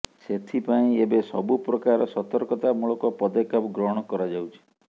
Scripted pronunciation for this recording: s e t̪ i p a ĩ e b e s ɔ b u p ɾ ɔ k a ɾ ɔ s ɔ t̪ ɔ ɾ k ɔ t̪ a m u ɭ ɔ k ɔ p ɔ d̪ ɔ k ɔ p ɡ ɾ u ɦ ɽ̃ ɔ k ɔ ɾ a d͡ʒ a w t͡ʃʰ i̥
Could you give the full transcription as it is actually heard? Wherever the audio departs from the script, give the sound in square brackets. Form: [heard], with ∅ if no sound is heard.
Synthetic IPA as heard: s e [t̪ʰ] i p a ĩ e b e s ɔ b u p ɾ ɔ k a ɾ ɔ s ɔ t̪ ɔ ɾ k ɔ t̪ a m u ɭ ɔ k ɔ p ɔ d̪ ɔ k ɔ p ɡ ɾ [ɔ] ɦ ɽ̃ ɔ k ɔ ɾ a d͡ʒ a w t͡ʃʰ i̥

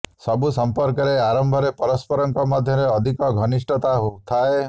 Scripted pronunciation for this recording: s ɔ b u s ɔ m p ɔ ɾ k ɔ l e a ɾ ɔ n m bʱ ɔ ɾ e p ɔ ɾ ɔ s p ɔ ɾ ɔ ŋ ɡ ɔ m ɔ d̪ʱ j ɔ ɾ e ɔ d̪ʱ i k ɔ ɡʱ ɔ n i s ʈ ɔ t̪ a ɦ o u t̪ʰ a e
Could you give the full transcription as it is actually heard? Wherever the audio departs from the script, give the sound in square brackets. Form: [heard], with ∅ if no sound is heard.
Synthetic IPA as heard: s ɔ b u s ɔ m p ɔ ɾ k ɔ [ɾ] e a ɾ ɔ [∅] m bʱ ɔ ɾ e p ɔ ɾ ɔ s p ɔ ɾ ɔ ŋ [k] ɔ m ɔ d̪ʱ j ɔ ɾ e ɔ d̪ʱ i k ɔ ɡʱ ɔ n i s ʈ ɔ t̪ a ɦ o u t̪ʰ a e

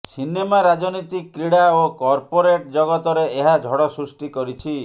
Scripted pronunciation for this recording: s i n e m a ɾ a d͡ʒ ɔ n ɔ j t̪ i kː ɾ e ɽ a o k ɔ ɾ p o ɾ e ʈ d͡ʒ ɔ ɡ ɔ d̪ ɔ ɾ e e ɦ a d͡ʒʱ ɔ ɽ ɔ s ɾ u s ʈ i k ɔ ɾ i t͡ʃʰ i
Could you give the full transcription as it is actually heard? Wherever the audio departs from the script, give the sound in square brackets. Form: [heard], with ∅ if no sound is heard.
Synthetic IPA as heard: s i n e m a ɾ a d͡ʒ ɔ n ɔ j t̪ i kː ɾ [i] ɽ a o k ɔ ɾ p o ɾ e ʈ d͡ʒ ɔ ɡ ɔ [t̪] ɔ ɾ e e ɦ a d͡ʒʱ ɔ ɽ ɔ s ɾ u s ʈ i k ɔ ɾ i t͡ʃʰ i

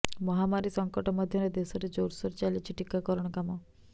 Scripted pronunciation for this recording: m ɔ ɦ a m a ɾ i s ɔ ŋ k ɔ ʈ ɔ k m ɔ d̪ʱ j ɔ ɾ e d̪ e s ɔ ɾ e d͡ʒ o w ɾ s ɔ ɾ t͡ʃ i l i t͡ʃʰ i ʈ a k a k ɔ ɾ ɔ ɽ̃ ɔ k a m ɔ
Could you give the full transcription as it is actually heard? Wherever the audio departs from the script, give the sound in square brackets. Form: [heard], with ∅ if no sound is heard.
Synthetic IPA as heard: m ɔ ɦ a m a ɾ i s ɔ ŋ k ɔ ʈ ɔ [∅] m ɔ d̪ʱ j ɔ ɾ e d̪ e s ɔ ɾ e d͡ʒ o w ɾ s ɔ ɾ t͡ʃ [a] l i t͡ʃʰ i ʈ [i] k a k ɔ ɾ ɔ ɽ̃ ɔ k a m ɔ

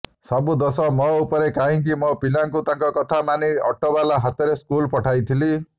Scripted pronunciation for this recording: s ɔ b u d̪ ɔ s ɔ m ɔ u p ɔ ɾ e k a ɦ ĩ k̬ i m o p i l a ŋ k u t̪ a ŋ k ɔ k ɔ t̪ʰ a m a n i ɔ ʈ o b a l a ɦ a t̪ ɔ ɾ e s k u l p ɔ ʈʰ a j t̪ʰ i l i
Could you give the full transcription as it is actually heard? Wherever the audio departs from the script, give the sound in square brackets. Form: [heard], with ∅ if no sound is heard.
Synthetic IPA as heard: s ɔ b u d̪ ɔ s ɔ m ɔ u p ɔ ɾ e k a ɦ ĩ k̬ i m [ɔ] p i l a ŋ k u t̪ a ŋ k ɔ k ɔ t̪ʰ a m a n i ɔ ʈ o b a l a ɦ a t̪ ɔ ɾ e s k u l p ɔ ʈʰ a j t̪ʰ i l i

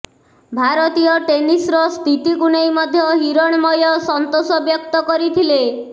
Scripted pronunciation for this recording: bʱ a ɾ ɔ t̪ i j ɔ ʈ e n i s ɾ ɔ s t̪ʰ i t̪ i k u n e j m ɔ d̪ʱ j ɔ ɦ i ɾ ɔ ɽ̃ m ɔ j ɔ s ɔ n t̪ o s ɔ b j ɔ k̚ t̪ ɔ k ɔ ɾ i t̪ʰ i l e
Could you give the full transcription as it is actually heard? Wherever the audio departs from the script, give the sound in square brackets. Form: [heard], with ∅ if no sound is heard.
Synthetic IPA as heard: bʱ a ɾ ɔ t̪ i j ɔ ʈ e n i s ɾ ɔ s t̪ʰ i t̪ i k u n e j m ɔ d̪ʱ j ɔ ɦ i ɾ ɔ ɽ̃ m ɔ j ɔ s ɔ n t̪ o s ɔ b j ɔ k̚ t̪ ɔ k ɔ ɾ i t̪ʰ i l e

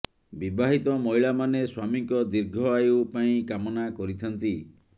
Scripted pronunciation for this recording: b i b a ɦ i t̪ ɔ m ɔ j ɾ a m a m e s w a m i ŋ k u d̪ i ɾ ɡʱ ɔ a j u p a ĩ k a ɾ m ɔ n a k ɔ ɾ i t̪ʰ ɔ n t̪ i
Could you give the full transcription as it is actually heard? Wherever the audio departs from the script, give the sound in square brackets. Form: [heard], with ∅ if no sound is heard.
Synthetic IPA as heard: b i b a ɦ i t̪ ɔ m ɔ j [ɭ] a m a [n] e s w a m i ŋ k [ɔ] d̪ i ɾ ɡʱ ɔ a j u p a ĩ k a [∅] m ɔ n a k ɔ ɾ i t̪ʰ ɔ n t̪ i

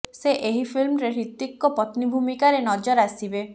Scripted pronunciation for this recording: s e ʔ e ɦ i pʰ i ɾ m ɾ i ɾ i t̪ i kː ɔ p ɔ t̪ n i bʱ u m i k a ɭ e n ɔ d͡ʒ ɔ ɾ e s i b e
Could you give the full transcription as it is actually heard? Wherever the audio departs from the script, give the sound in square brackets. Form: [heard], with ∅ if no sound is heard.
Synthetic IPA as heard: s e ʔ e ɦ i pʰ i [l] m ɾ [e] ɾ i t̪ i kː ɔ p ɔ t̪ n i bʱ u m i k a [ɾ] e n ɔ d͡ʒ ɔ ɾ [a] s i b e

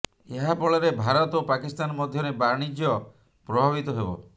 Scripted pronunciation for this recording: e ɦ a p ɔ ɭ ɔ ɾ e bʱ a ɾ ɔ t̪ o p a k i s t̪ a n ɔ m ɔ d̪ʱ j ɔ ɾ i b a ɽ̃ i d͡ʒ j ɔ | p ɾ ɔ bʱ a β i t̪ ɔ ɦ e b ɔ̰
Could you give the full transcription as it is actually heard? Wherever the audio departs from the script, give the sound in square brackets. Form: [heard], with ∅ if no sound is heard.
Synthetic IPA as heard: e ɦ a p ɔ ɭ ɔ ɾ e bʱ a ɾ ɔ t̪ o p a k i s t̪ a n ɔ m ɔ d̪ʱ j ɔ ɾ [e] b a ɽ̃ i d͡ʒ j ɔ | p ɾ ɔ bʱ a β i t̪ ɔ ɦ e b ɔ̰

